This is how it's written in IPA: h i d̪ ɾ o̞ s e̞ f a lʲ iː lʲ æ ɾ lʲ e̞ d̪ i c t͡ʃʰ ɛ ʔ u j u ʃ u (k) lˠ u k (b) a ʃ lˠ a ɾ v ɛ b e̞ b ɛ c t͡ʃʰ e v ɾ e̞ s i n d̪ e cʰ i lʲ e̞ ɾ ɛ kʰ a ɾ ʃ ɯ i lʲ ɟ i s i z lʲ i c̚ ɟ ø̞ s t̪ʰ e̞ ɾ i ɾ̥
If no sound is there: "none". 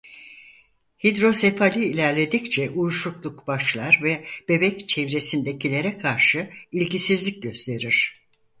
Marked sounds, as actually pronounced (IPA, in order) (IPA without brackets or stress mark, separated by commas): k, b